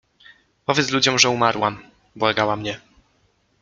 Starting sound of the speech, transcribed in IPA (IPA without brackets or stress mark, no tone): p